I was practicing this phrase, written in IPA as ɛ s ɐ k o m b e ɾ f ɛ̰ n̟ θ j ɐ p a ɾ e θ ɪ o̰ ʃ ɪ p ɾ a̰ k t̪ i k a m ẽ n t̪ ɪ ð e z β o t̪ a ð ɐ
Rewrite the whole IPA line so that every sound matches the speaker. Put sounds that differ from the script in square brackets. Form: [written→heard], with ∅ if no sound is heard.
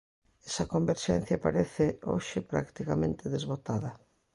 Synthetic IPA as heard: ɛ s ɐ k o m b e ɾ [f→ʃ] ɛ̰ n̟ θ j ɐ p a ɾ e θ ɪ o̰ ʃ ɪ p ɾ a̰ k t̪ i k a m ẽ n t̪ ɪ ð e z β o t̪ a ð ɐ